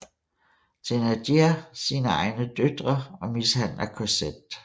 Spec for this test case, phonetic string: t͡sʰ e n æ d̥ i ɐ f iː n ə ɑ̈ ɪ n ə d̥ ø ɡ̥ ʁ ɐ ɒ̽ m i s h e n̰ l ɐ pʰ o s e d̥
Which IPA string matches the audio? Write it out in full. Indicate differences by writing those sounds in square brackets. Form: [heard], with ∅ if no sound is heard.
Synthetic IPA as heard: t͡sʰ e n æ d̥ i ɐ [s] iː n ə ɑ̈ ɪ n ə d̥ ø [d̥] ʁ ɐ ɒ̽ m i s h [æ] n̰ l ɐ [kʰ] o s e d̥